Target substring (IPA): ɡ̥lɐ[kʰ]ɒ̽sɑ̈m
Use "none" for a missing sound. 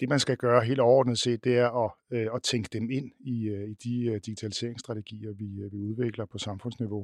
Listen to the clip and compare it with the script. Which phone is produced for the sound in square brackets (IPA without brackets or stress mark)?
pʰ